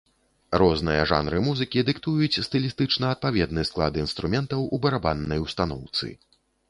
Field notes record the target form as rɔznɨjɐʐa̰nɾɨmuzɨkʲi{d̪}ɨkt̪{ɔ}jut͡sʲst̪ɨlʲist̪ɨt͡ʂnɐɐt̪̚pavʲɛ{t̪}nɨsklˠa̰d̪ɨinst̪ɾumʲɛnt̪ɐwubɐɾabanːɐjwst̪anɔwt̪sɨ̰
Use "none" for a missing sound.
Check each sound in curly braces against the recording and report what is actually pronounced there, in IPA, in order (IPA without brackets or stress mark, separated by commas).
d̪, u, d̪